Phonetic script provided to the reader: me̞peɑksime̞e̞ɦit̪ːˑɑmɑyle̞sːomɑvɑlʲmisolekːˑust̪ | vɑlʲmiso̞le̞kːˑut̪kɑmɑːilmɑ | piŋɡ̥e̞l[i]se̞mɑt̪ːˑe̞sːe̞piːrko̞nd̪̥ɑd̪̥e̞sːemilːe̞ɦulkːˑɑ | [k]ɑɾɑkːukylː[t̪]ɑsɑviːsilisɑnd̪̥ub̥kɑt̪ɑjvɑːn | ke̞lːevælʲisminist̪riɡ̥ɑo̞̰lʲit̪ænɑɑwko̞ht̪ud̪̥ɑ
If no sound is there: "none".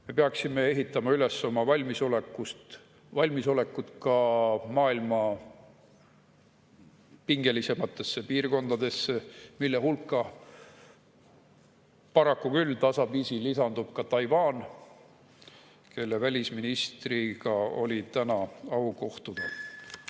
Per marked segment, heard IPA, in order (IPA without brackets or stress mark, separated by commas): i, p, t̪